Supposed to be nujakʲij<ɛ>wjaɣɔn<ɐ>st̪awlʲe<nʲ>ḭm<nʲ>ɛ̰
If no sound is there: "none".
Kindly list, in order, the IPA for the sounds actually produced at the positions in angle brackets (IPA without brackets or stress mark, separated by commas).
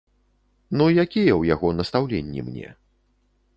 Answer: ɛ, ɐ, nʲː, nʲ